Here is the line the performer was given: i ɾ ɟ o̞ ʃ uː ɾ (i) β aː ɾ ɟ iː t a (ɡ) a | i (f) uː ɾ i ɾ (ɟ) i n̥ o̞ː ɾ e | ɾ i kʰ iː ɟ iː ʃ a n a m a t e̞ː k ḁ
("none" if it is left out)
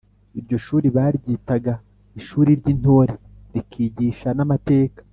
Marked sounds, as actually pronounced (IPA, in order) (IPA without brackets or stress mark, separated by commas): i, ɡ, ʃ, ɟ